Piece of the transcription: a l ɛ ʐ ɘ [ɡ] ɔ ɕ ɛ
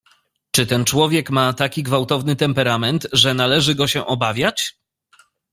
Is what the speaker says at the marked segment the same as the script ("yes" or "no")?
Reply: yes